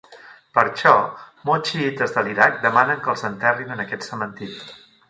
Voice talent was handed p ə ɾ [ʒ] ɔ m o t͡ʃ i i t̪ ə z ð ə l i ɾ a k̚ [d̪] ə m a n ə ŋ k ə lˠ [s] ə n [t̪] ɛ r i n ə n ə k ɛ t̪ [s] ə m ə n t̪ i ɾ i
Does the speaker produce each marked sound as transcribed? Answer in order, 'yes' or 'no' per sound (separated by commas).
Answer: no, yes, no, yes, yes